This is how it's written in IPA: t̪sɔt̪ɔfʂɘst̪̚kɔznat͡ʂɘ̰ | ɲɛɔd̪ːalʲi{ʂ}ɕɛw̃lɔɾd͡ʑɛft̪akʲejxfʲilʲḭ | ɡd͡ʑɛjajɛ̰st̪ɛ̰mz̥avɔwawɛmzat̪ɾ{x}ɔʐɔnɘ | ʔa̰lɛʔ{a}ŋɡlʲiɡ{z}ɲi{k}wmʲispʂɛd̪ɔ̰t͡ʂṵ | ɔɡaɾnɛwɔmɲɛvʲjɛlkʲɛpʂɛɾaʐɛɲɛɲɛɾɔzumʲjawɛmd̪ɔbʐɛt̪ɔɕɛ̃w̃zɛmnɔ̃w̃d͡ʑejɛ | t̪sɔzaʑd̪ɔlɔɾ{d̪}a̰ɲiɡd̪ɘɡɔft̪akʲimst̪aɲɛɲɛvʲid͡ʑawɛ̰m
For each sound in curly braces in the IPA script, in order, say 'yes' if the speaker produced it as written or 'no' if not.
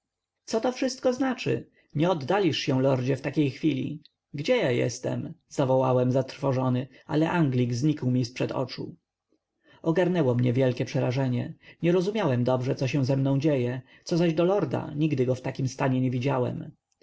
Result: yes, no, yes, yes, yes, yes

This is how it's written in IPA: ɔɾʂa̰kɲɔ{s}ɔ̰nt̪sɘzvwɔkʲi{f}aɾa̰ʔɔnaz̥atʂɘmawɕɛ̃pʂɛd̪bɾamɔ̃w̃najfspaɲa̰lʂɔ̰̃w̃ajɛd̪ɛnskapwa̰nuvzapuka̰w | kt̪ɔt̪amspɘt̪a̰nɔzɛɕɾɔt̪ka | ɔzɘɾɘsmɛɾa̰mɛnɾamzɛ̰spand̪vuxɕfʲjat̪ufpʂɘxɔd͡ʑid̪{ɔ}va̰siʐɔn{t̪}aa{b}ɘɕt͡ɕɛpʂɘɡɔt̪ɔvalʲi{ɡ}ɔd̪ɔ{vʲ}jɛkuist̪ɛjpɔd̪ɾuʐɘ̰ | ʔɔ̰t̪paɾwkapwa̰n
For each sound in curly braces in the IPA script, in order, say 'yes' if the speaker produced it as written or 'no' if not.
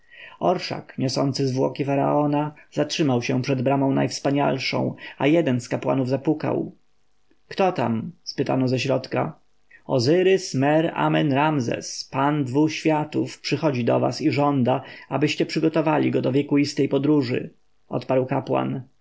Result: yes, yes, yes, no, yes, yes, yes

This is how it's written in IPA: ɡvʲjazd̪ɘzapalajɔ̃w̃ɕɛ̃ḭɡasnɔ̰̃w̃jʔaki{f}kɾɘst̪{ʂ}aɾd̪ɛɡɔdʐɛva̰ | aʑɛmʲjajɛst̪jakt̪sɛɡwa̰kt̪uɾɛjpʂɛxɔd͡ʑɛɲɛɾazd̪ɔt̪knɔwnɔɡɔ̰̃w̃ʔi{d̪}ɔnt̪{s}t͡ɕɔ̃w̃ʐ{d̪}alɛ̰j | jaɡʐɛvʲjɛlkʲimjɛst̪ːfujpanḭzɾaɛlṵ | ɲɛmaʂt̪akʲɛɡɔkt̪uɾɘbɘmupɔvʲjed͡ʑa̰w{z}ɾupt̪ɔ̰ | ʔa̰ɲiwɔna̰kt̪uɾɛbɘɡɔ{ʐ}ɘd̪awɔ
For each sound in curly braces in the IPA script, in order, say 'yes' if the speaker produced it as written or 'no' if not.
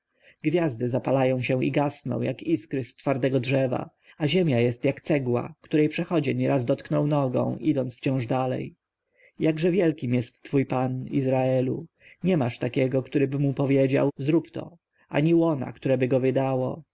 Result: no, no, yes, no, yes, yes, no

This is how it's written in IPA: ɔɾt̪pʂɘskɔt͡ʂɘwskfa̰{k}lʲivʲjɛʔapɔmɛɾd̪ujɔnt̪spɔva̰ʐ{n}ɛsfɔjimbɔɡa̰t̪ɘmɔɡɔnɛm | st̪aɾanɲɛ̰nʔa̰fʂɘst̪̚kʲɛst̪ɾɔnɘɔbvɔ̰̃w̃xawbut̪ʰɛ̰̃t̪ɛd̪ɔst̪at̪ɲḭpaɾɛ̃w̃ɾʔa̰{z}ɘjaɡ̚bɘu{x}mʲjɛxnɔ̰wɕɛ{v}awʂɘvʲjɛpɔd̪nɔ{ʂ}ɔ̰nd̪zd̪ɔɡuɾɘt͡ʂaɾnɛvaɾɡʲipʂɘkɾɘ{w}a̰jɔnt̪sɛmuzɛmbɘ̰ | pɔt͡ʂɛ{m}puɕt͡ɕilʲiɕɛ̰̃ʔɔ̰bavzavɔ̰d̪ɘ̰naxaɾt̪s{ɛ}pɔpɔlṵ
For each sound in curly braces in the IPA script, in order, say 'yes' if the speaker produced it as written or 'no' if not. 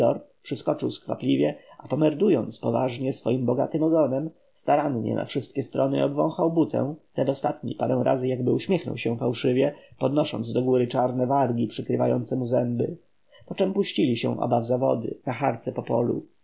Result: no, no, yes, no, no, yes, no, yes, yes

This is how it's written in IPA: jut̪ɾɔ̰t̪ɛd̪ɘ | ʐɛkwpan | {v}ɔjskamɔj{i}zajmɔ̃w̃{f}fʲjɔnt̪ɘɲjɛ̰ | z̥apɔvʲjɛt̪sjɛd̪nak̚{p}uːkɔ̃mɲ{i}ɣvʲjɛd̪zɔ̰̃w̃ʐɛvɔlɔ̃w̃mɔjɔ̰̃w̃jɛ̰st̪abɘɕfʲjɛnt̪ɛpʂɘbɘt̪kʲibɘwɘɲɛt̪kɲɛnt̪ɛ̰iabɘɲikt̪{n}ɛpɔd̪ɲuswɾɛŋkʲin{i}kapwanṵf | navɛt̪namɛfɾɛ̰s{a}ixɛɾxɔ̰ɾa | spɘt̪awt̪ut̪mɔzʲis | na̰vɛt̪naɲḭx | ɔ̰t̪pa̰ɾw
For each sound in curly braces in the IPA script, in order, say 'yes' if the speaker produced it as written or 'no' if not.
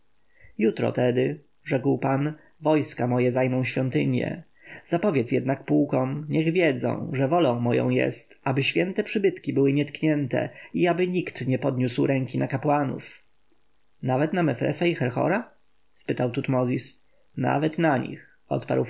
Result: yes, no, no, yes, no, no, no, yes

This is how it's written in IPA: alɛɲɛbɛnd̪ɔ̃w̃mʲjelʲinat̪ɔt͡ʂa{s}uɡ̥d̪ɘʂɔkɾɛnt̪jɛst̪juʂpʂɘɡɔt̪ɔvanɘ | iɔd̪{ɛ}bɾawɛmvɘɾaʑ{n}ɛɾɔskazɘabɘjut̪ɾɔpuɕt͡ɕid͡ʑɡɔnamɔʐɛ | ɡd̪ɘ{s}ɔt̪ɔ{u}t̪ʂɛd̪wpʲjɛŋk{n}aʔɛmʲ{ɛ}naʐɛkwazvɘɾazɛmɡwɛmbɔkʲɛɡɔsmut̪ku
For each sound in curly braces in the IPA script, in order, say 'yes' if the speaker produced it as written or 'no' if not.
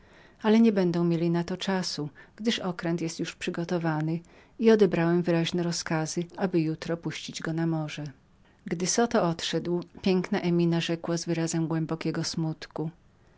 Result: yes, yes, yes, yes, no, yes, no

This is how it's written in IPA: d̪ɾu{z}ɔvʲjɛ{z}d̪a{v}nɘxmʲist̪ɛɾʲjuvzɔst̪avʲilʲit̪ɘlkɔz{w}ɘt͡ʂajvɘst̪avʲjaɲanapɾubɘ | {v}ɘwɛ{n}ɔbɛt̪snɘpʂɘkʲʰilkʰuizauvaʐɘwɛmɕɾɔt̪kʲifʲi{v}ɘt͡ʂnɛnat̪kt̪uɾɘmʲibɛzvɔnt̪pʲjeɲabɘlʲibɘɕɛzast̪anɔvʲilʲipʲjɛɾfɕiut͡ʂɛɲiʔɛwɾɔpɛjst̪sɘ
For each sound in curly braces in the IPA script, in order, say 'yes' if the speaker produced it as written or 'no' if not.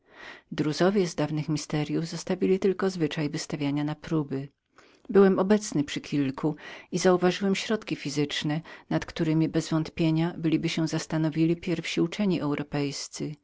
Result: yes, yes, yes, no, no, no, no

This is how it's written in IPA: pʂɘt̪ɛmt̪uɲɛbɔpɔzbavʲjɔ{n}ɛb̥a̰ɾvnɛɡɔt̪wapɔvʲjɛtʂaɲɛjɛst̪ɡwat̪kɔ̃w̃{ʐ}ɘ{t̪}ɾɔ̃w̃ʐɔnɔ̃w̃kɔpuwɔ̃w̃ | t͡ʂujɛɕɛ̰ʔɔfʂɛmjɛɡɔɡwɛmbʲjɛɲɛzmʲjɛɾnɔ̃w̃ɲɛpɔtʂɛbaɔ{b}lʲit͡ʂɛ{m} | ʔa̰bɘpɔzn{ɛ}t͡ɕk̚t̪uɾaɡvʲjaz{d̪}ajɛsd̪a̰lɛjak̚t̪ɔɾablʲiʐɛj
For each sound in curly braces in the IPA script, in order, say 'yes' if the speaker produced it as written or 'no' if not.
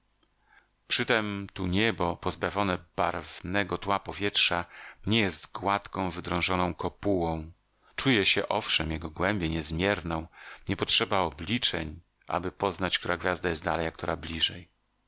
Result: yes, no, no, yes, no, no, yes

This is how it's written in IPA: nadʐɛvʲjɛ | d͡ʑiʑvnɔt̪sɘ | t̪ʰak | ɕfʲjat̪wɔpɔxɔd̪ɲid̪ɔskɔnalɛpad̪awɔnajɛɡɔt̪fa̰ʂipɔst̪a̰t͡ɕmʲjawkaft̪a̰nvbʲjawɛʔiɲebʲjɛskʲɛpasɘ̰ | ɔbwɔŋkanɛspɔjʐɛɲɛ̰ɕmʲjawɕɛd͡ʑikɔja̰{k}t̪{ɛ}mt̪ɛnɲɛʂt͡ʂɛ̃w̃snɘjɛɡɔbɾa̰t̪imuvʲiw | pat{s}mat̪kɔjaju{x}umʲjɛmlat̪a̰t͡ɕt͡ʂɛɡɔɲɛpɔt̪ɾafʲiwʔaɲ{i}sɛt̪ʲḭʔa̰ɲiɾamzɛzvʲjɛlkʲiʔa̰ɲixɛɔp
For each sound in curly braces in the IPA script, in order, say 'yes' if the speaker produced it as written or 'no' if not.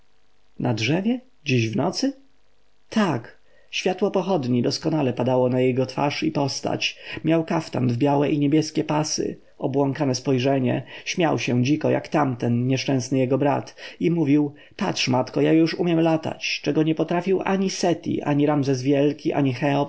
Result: yes, no, no, no, yes

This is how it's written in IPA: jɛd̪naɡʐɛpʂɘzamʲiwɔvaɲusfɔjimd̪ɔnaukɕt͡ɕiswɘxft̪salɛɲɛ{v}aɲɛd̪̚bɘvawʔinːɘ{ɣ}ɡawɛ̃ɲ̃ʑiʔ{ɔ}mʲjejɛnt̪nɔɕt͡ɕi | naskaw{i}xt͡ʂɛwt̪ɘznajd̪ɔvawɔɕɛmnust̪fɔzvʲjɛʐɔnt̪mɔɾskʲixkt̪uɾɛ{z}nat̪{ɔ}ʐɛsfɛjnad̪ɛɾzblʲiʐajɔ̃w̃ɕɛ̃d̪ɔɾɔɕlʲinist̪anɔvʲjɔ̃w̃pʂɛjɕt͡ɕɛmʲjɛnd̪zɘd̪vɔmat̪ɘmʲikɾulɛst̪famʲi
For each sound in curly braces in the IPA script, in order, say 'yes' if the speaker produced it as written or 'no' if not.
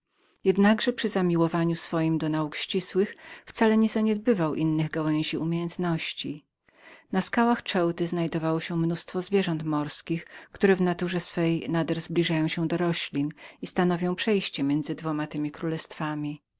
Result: no, yes, no, no, no, no

